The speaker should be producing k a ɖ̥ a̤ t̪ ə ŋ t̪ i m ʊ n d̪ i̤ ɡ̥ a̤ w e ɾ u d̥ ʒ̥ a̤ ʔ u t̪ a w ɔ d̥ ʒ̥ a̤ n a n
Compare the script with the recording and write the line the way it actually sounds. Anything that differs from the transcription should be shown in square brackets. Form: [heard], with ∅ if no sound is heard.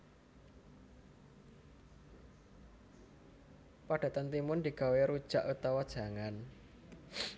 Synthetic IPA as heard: [p] a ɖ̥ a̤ t̪ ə [n] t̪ i m ʊ n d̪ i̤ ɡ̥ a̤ w e ɾ u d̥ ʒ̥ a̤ ʔ u t̪ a w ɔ d̥ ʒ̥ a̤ [ŋ] a n